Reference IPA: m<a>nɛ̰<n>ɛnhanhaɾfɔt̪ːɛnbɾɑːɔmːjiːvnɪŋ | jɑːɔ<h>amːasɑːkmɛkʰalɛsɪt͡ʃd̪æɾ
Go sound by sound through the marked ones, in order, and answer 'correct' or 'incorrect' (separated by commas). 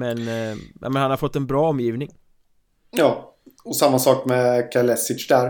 incorrect, incorrect, incorrect